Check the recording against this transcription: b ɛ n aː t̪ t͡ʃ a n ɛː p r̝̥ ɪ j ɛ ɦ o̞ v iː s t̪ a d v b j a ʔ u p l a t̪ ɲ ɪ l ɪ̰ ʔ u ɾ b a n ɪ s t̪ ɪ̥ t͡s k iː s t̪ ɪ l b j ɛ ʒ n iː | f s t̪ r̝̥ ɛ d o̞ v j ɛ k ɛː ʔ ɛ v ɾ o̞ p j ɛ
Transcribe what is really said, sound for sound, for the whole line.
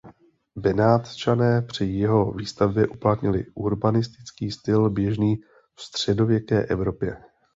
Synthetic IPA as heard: b ɛ n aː t̪ t͡ʃ a n ɛː p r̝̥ ɪ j ɛ ɦ o̞ v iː s t̪ a v b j ɛ ʔ u p l a t̪ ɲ ɪ l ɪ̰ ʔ u ɾ b a n ɪ s t̪ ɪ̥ t͡s k iː s t̪ ɪ l b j ɛ ʒ n iː | f s t̪ r̝̥ ɛ d o̞ v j ɛ k ɛː ʔ ɛ v ɾ o̞ p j ɛ

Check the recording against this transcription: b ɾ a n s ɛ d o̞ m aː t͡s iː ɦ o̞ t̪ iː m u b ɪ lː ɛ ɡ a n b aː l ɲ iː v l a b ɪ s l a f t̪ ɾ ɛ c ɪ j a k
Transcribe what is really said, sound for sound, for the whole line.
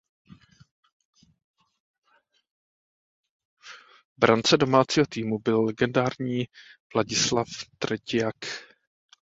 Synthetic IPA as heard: b ɾ a n t͡s ɛ d o̞ m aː t͡s iː ɦ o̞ t̪ iː m u b ɪ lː ɛ ɡ ɛ n d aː ɾ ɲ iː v l a ɟ ɪ s l a f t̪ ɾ ɛ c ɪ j a k

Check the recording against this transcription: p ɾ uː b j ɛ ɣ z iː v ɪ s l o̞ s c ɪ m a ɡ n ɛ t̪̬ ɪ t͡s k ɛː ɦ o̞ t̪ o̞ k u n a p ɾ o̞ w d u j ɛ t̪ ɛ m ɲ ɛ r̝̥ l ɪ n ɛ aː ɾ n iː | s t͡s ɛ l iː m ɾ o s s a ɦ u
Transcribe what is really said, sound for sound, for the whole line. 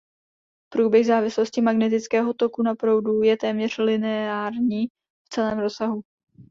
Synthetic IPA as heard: p ɾ uː b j ɛ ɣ z aː v ɪ s l o̞ s c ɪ m a ɡ n ɛ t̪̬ ɪ t͡s k ɛː ɦ o̞ t̪ o̞ k u n a p ɾ o̞ w d u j ɛ t̪ ɛː m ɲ ɛ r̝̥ l ɪ n ɛ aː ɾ ɲ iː | f t͡s ɛ l ɛː m ɾ o s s a ɦ u

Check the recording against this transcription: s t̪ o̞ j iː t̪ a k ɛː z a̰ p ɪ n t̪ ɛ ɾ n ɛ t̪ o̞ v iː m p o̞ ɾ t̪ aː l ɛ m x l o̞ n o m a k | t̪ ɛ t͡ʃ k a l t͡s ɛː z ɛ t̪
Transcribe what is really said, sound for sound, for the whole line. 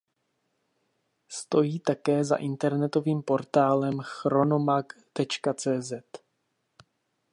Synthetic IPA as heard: s t̪ o̞ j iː t̪ a k ɛː z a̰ ʔ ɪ n t̪ ɛ ɾ n ɛ t̪ o̞ v iː m p o̞ ɾ t̪ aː l ɛ m x ɾ o̞ n o m a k | t̪ ɛ t͡ʃ k a t͡s ɛː z ɛ t̪

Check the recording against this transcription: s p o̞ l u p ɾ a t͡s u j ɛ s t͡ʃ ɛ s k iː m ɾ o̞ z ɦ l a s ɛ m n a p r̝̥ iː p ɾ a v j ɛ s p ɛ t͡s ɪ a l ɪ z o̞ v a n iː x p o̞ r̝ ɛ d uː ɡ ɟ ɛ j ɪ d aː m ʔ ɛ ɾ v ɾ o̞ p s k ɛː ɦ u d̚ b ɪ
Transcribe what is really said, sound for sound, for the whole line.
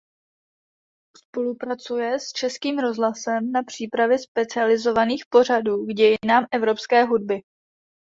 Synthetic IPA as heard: s p o̞ l u p ɾ a t͡s u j ɛ s t͡ʃ ɛ s k iː m ɾ o̞ z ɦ l a s ɛ m n a p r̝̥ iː p ɾ a v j ɛ s p ɛ t͡s ɪ a l ɪ z o̞ v a n iː x p o̞ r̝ a d uː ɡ ɟ ɛ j ɪ n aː m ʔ ɛ v ɾ o̞ p s k ɛː ɦ u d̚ b ɪ

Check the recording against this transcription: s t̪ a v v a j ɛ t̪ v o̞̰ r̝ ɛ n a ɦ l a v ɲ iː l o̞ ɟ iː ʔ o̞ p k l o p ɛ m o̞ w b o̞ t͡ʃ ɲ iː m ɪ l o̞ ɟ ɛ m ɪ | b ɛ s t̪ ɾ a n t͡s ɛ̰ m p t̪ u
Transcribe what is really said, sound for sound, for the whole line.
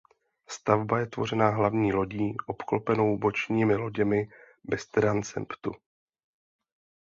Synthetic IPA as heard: s t̪ a v b a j ɛ t̪ v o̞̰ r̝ ɛ n a ɦ l a v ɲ iː l o̞ ɟ iː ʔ o̞ p k l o p ɛ n o̞ w b o̞ t͡ʃ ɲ iː m ɪ l o̞ ɟ ɛ m ɪ | b ɛ s t̪ ɾ a n t͡s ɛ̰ m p t̪ u

